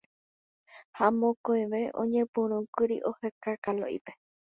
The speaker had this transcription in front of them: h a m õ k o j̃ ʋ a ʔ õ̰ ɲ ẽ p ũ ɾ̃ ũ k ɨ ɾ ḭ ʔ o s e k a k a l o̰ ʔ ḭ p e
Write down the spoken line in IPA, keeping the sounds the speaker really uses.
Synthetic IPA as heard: h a m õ k o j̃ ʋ e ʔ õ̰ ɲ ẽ p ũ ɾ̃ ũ k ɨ ɾ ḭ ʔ o h e k a k a l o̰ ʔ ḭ p e